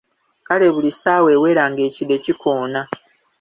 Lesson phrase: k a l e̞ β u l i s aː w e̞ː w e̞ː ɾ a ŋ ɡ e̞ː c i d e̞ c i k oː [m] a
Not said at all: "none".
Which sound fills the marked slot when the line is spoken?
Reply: n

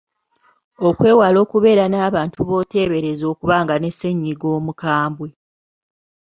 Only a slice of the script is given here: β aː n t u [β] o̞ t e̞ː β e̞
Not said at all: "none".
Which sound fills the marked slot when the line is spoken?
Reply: β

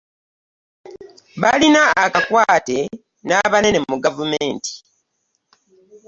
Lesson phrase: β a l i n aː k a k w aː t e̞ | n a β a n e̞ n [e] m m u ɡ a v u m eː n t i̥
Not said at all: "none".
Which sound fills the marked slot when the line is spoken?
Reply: e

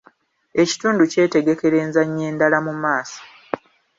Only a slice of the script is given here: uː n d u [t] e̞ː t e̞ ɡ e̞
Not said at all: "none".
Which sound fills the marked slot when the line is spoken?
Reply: c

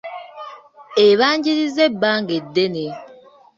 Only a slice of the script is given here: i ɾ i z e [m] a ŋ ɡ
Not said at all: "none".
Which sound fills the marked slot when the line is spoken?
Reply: b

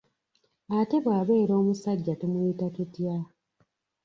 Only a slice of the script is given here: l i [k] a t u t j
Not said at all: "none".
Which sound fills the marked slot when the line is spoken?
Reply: t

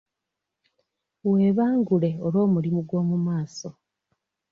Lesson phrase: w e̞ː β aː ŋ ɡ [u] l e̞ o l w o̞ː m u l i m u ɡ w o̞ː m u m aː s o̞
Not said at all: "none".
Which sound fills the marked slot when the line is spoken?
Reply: u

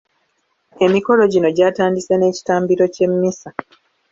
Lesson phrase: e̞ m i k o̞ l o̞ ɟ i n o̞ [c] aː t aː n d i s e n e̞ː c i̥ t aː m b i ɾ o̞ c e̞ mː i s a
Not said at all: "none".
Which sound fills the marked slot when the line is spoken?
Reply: ɟ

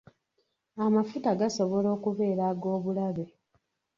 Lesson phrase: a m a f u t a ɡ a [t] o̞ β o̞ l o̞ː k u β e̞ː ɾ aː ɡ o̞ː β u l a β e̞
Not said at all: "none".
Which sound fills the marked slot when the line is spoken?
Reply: s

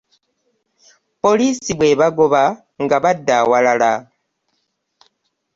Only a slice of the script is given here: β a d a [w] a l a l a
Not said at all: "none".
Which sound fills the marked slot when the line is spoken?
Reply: w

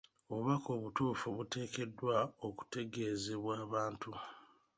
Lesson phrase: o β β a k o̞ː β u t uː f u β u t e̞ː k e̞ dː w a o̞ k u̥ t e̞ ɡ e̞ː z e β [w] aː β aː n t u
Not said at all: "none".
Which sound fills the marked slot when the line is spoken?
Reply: w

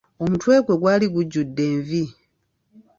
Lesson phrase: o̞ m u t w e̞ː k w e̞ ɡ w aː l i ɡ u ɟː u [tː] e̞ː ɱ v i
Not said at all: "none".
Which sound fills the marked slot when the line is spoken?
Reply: dː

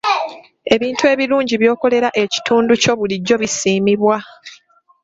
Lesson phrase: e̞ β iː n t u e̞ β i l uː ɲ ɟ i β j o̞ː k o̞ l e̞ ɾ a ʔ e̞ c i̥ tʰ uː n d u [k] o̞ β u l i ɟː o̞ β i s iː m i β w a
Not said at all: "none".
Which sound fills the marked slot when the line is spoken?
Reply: c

